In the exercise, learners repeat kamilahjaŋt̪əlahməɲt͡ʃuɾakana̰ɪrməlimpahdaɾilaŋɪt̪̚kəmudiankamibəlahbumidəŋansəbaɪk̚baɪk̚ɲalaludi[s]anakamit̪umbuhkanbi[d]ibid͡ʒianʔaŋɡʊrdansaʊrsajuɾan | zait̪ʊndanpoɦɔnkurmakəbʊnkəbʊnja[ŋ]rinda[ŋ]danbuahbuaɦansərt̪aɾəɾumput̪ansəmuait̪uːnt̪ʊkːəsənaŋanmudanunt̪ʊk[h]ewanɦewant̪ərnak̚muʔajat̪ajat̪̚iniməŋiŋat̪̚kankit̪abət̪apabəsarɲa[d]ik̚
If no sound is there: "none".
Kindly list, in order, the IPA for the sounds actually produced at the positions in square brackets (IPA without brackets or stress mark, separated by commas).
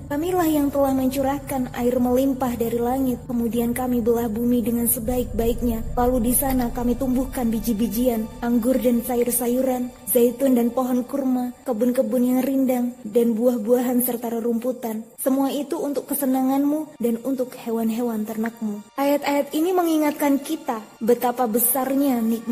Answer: s, d͡ʒ, ŋ, ŋ, h, n